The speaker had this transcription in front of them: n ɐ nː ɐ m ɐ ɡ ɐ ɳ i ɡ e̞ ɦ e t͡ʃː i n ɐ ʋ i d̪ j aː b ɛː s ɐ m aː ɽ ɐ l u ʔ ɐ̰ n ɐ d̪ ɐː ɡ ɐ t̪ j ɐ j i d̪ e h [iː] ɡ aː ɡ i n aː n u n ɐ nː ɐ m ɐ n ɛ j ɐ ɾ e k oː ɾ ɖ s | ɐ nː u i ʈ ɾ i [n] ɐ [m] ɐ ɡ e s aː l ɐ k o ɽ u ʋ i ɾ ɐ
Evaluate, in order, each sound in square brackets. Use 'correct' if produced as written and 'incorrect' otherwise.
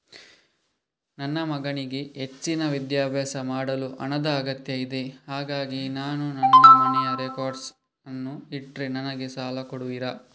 incorrect: aː, correct, incorrect: n

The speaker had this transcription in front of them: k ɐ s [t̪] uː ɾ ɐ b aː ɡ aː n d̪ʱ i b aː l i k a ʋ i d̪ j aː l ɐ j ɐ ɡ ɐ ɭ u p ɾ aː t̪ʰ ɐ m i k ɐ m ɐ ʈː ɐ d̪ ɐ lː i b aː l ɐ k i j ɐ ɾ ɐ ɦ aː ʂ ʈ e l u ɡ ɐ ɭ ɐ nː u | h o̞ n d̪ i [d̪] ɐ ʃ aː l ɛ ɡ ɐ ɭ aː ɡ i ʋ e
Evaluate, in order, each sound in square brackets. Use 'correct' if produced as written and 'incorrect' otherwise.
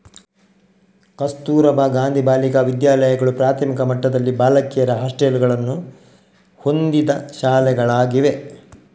correct, correct

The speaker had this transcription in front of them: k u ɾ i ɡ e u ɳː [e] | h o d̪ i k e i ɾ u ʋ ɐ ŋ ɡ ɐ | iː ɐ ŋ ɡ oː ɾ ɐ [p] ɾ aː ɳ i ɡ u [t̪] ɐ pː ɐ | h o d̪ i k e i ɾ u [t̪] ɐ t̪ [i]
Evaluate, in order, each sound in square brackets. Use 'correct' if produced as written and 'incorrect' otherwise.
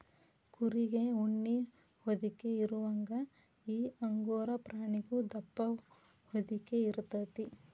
incorrect: i, correct, incorrect: d̪, correct, correct

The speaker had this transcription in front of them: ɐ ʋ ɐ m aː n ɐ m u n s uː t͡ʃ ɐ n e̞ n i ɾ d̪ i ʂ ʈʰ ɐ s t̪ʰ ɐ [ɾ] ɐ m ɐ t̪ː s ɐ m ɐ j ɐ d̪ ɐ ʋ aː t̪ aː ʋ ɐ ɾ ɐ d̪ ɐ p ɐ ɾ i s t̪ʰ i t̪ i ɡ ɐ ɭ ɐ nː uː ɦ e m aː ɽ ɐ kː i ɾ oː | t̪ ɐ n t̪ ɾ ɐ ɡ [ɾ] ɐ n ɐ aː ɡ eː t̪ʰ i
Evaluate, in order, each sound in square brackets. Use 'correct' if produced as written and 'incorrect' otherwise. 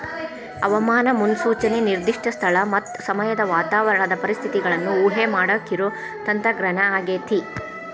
incorrect: ɭ, correct

